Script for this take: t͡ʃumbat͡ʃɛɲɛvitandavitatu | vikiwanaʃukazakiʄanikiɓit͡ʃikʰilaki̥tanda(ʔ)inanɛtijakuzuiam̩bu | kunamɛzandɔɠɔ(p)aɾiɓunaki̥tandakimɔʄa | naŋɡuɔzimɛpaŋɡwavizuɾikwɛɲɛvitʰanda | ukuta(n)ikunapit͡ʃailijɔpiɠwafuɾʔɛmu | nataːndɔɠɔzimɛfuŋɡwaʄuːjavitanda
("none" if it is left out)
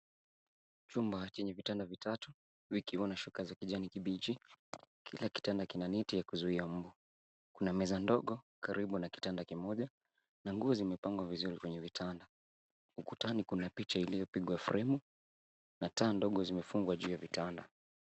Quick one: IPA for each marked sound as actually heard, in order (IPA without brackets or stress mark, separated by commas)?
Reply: k, k, n